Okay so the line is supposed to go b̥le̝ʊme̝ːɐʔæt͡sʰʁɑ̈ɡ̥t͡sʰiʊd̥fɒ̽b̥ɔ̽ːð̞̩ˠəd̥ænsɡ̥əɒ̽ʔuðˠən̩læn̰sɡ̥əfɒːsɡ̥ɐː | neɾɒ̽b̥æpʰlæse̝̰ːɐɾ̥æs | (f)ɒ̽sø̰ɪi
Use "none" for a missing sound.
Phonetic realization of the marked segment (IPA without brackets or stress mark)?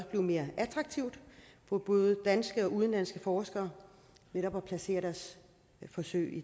f